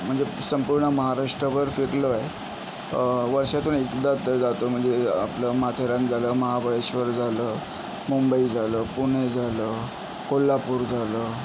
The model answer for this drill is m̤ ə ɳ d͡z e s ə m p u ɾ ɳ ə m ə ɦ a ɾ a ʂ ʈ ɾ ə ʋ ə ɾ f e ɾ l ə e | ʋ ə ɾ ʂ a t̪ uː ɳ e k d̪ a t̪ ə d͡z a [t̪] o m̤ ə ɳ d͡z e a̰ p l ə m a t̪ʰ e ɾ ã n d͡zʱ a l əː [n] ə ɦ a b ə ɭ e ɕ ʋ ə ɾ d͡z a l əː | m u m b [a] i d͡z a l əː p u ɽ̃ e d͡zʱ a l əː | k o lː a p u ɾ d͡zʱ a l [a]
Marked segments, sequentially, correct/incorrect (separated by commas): correct, incorrect, incorrect, incorrect